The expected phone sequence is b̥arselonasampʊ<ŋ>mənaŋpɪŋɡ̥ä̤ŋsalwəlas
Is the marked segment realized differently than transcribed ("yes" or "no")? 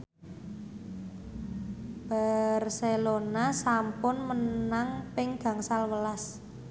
yes